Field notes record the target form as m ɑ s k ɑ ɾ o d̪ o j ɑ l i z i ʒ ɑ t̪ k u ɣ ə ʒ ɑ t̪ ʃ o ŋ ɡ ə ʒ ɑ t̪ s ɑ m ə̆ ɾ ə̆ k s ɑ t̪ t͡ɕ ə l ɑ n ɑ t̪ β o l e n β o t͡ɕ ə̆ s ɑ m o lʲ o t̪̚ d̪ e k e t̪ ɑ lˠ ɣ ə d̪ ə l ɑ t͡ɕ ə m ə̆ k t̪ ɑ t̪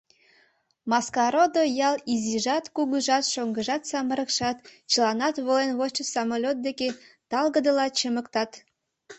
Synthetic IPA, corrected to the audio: m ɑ s k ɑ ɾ o d̪ o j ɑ l i z i ʒ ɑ t̪ k u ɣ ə ʒ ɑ t̪ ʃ o ŋ ɡ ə ʒ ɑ t̪ s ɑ m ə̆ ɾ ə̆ k ʃ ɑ t̪ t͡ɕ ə l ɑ n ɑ t̪ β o l e n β o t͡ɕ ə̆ s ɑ m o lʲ o t̪̚ d̪ e k e t̪ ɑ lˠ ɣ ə d̪ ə l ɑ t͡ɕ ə m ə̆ k t̪ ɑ t̪